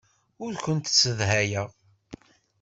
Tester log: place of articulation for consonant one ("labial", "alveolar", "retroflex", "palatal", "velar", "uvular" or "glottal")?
alveolar